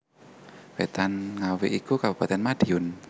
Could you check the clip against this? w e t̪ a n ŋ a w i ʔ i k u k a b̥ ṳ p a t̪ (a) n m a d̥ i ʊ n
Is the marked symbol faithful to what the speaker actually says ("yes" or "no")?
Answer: no